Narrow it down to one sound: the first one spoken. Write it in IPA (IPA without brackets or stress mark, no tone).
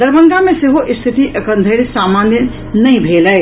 d̪